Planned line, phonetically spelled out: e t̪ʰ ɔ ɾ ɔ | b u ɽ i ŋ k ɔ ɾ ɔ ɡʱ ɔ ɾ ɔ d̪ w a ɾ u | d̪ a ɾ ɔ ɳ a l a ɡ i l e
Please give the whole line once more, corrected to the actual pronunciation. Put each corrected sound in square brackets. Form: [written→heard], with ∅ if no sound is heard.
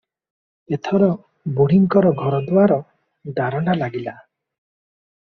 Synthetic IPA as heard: e t̪ʰ ɔ ɾ ɔ | b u ɽ i ŋ k ɔ ɾ ɔ ɡʱ ɔ ɾ ɔ d̪ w a ɾ [u→ɔ] | d̪ a ɾ ɔ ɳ a l a ɡ i l [e→a]